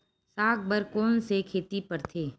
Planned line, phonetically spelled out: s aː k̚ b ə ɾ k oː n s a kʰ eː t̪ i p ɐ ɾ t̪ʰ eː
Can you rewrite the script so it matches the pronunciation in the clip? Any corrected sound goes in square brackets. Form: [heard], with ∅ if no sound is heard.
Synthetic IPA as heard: s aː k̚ b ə ɾ k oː n s [e] kʰ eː t̪ i p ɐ ɾ t̪ʰ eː

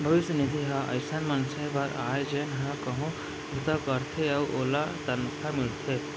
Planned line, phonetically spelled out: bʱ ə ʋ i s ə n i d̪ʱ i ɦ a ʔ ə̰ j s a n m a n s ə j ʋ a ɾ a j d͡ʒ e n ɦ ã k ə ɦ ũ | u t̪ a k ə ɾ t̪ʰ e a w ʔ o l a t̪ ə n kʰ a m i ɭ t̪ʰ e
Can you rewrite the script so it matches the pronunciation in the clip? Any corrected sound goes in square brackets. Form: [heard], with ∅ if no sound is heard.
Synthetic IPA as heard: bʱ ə ʋ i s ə n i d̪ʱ i ɦ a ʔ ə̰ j s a n m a n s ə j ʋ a ɾ a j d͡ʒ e n ɦ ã k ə ɦ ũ | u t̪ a k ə ɾ t̪ʰ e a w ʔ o l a t̪ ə n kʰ a m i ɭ t̪ʰ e

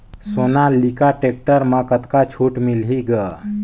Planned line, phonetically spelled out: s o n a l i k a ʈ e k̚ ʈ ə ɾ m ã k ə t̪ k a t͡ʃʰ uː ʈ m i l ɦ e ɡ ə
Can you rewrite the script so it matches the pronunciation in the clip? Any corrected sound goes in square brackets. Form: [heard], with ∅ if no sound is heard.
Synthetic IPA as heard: s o n a l i k a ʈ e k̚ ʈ ə ɾ m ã k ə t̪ k a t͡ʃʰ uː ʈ m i l ɦ [i] ɡ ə

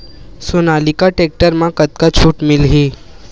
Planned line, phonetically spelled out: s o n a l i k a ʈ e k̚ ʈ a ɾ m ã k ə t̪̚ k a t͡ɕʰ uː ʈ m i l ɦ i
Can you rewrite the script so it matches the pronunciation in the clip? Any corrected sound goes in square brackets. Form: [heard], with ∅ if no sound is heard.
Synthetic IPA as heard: s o n a l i k a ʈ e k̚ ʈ [ə] ɾ m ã k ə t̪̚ k a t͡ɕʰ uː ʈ m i l ɦ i

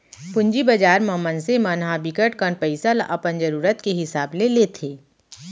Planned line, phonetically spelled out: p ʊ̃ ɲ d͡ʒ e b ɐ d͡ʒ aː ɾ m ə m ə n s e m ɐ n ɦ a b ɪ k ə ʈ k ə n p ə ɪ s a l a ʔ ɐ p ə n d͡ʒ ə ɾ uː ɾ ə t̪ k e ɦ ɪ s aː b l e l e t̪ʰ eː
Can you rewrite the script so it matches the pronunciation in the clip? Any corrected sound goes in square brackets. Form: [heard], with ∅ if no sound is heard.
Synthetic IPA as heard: p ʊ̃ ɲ d͡ʒ [i] b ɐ d͡ʒ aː ɾ m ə m ə n s e m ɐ n ɦ a b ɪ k ə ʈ k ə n p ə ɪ s a l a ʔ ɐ p ə n d͡ʒ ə ɾ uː ɾ ə t̪ k e ɦ ɪ s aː b l e l e t̪ʰ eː

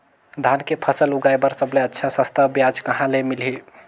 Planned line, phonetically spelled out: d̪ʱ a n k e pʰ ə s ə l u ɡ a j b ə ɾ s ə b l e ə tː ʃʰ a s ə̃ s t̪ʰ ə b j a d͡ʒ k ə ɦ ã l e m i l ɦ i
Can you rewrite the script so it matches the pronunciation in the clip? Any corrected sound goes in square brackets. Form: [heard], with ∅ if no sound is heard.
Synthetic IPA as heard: d̪ʱ a n k e pʰ ə s ə l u ɡ a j b ə ɾ s ə b l e ə tː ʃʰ a s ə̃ s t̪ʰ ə b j a d͡ʒ k ə ɦ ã l e m i l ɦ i

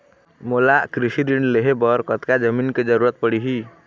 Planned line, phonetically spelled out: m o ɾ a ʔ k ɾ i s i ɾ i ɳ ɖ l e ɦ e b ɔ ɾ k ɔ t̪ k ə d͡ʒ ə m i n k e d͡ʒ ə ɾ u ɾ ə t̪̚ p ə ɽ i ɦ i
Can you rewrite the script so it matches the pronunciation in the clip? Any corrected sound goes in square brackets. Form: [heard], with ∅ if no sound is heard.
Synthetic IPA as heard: m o [l] a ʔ k ɾ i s i ɾ i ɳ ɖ l e ɦ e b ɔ ɾ k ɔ t̪ k [a] d͡ʒ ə m i n k e d͡ʒ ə ɾ u ɾ ə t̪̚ p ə ɽ i ɦ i

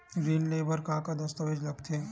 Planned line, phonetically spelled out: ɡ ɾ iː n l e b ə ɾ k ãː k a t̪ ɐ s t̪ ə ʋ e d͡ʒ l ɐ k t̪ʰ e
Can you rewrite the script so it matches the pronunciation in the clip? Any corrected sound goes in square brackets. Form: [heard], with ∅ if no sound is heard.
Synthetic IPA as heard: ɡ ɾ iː n l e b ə ɾ k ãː k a [d̪] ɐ s t̪ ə ʋ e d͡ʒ l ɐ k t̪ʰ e

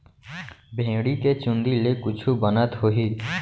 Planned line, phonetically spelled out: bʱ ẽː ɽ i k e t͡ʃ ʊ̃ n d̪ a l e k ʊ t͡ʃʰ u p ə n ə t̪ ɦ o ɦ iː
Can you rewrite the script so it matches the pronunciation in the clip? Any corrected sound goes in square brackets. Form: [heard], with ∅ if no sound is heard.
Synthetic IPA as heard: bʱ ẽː ɽ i k e t͡ʃ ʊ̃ n d̪ [i] l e k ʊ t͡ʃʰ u [b] ə n ə t̪ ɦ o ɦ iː

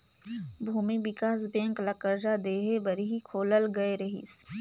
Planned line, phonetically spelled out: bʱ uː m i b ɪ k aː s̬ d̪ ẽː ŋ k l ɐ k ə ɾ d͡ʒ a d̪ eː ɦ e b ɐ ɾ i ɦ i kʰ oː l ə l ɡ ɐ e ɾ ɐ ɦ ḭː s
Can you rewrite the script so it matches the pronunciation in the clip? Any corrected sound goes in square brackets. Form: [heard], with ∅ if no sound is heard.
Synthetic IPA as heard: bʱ uː m i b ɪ k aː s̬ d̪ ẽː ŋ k l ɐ k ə ɾ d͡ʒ a d̪ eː ɦ e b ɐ ɾ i ɦ i kʰ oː l ə l ɡ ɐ e ɾ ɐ ɦ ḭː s

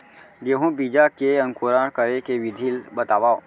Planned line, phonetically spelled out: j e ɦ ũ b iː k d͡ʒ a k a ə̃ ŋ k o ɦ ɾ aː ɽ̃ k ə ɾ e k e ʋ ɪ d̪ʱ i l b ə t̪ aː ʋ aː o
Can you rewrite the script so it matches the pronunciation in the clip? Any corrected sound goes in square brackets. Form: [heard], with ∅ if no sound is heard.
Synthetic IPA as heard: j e ɦ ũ b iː [∅] d͡ʒ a k [e] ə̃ ŋ k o [∅] ɾ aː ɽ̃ k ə ɾ e k e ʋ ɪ d̪ʱ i l b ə t̪ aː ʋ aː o

